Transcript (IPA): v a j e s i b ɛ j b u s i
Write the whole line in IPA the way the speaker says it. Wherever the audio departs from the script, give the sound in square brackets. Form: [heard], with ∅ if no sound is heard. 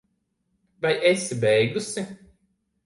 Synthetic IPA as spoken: v a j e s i b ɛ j [ɡ] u s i

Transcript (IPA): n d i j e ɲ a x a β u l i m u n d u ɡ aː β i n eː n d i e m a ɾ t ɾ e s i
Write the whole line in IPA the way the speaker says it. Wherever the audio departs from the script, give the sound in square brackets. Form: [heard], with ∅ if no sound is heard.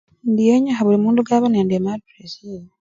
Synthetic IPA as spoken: n d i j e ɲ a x a β u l i m [uː] n d u ɡ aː β [a] n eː n d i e m a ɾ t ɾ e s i

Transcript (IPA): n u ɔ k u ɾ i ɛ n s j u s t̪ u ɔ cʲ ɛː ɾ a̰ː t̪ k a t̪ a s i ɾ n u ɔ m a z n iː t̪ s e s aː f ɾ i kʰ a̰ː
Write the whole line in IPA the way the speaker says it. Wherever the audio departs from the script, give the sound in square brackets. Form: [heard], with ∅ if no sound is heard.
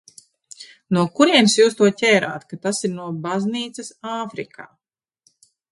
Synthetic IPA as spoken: n u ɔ k u ɾ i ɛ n s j [uː] s t̪ u ɔ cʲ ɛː ɾ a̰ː t̪ k a t̪ a s i ɾ n u ɔ [b] a z n iː t̪ s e s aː f ɾ i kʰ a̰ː

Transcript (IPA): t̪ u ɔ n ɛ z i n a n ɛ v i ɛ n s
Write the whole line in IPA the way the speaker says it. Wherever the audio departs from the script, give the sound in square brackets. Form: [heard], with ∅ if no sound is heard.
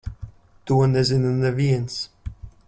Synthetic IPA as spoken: t̪ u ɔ n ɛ z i n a n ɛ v i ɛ n s

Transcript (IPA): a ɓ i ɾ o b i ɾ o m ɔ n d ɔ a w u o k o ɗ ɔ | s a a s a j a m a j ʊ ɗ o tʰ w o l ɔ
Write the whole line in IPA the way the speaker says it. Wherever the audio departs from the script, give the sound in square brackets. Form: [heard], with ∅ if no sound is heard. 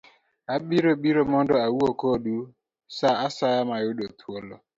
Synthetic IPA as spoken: a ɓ i ɾ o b i ɾ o m ɔ n d ɔ a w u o k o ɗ [u] | s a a s a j a m a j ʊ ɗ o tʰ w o l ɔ

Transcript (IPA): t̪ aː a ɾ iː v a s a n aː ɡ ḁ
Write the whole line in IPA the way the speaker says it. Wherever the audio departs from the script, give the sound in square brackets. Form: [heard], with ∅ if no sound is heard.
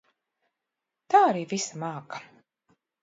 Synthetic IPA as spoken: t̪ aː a ɾ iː v [i] s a [m] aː [k] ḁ

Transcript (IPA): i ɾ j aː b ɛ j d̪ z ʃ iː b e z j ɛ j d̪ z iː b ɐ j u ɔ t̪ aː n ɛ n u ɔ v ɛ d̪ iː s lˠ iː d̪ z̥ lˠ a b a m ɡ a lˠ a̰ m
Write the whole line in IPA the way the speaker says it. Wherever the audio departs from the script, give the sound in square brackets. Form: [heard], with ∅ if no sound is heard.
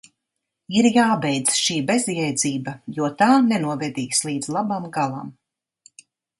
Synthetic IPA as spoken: i ɾ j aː b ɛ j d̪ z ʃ iː b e z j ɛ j d̪ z iː b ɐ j u ɔ t̪ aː n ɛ n u ɔ v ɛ d̪ iː s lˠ iː d̪ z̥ lˠ a b a m ɡ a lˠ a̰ m

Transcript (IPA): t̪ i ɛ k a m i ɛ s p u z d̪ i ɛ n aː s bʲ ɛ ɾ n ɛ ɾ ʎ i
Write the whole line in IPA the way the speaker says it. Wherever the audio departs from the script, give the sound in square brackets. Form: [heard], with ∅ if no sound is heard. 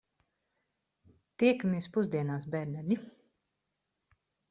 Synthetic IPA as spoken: t̪ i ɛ k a m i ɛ s p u z d̪ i ɛ n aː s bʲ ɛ ɾ n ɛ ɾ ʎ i

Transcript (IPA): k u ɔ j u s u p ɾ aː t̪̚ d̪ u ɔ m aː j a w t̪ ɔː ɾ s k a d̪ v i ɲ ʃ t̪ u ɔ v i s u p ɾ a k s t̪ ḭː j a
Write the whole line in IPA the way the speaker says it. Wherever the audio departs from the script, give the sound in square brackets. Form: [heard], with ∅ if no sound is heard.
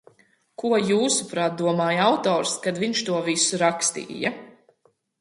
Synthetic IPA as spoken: k u ɔ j [uː] s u p ɾ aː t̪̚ d̪ u ɔ m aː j a w t̪ ɔː ɾ s k a d̪ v i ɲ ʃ t̪ u ɔ v i s u [∅] ɾ a k s t̪ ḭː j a

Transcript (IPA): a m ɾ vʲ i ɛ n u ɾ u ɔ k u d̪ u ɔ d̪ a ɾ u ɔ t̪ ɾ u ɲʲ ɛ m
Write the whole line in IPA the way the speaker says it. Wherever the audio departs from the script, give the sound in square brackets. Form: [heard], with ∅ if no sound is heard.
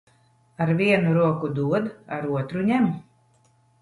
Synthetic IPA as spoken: a [∅] ɾ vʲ i ɛ n u ɾ u ɔ k u d̪ u ɔ d̪ a ɾ u ɔ t̪ ɾ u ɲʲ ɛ m

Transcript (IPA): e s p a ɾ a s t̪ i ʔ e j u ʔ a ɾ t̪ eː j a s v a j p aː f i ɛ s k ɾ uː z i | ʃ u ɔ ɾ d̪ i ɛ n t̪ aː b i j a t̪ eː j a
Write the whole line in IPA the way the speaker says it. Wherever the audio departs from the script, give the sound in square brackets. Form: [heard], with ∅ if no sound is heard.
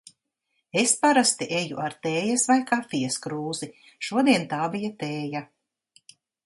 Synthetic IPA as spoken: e s p a ɾ a s t̪ i ʔ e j u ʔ a ɾ t̪ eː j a s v a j [k] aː f i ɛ s k ɾ uː z i | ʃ u ɔ [∅] d̪ i ɛ n t̪ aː b i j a t̪ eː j a

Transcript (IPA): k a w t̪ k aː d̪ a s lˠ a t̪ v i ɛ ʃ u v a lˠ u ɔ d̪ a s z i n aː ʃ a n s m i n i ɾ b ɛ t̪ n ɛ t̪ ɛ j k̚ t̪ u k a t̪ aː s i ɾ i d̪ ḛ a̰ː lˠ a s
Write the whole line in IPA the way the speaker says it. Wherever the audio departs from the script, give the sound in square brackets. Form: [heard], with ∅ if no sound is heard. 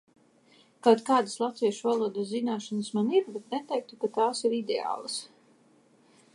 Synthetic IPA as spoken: k a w t̪ k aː d̪ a s lˠ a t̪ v i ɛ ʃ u v a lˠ u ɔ d̪ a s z i n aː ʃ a n s m [a] n i ɾ b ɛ t̪ n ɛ t̪ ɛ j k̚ t̪ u k a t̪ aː s i ɾ i d̪ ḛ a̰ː lˠ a s

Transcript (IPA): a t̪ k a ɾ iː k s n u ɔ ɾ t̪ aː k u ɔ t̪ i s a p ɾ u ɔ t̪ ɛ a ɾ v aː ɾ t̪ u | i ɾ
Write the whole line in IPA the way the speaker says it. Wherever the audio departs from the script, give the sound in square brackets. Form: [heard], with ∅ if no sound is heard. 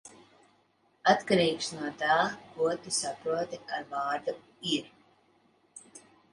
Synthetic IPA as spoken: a t̪ k a ɾ iː k s n u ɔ [∅] t̪ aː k u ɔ t̪ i s a p ɾ u ɔ t̪ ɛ a ɾ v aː ɾ [d̪] u | i ɾ

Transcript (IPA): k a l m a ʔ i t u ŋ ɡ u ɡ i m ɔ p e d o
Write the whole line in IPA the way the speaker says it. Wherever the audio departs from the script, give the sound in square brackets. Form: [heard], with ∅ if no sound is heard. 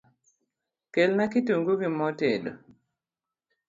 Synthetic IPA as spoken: k [e] l [n] a [k] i t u ŋ ɡ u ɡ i m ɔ [t] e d o

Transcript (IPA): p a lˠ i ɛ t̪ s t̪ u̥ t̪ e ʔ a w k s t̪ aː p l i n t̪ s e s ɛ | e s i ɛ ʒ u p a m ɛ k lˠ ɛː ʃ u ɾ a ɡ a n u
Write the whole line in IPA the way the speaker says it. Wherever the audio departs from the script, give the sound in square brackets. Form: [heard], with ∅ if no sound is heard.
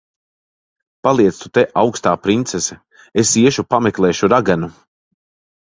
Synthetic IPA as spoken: p a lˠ i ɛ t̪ s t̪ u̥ t̪ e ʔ a w k s t̪ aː p [ɾ] i n t̪ s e s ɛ | e s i ɛ [ʃ] u p a m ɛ k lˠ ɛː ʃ u ɾ a ɡ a n u

